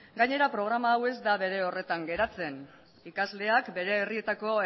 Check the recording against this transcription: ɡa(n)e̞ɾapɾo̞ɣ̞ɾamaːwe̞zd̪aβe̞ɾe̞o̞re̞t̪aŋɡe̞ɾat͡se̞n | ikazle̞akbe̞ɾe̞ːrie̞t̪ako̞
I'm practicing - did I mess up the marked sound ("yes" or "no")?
yes